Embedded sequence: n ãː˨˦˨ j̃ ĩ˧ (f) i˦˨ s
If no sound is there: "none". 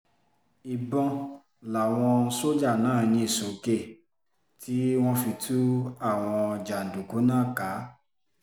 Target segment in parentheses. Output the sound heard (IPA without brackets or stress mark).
none